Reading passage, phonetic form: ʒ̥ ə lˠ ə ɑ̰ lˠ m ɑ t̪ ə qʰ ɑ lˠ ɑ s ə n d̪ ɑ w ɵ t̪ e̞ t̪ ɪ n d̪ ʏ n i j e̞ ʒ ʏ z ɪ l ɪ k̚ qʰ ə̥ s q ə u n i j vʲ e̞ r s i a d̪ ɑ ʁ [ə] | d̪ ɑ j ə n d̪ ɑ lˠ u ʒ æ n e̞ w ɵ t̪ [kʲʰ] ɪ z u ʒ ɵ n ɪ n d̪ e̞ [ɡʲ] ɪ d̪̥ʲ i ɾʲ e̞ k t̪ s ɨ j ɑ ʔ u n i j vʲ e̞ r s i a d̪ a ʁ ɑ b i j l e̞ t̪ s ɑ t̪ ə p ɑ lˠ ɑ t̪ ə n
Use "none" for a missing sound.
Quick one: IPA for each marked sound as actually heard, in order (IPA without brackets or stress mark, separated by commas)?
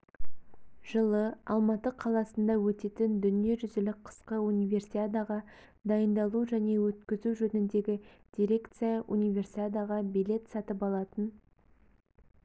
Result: ɑ, kʲ, ɡʲ